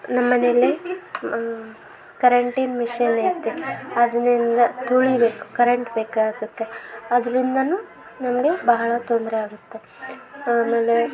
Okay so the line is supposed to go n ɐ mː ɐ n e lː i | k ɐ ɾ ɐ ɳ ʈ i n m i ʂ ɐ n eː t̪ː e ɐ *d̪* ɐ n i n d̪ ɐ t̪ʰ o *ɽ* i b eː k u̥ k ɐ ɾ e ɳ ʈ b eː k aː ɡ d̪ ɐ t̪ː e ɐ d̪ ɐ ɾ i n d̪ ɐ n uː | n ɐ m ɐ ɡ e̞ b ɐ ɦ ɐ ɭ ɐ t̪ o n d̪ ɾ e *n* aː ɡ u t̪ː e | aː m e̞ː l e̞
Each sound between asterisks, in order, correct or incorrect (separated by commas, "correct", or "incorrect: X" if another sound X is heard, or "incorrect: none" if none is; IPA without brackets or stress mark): correct, incorrect: ɭ, incorrect: none